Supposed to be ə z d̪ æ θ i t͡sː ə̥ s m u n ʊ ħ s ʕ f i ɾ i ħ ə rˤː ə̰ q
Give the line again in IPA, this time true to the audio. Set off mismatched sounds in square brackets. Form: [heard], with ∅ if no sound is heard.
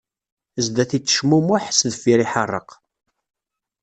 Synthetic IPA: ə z d̪ æ θ i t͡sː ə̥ [ʃ] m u [m] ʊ ħ s [ð] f i ɾ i ħ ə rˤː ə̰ q